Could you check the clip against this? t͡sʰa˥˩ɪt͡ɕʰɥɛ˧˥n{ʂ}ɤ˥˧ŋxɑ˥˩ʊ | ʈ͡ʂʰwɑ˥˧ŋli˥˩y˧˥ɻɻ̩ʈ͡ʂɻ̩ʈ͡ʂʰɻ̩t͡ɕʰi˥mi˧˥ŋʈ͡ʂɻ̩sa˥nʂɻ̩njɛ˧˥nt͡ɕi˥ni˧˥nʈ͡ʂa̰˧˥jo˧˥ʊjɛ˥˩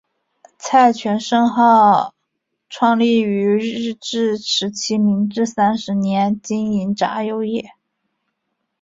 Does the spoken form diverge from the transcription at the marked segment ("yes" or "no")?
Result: no